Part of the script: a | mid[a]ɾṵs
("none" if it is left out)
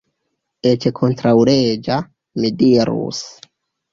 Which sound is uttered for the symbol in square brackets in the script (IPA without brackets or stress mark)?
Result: i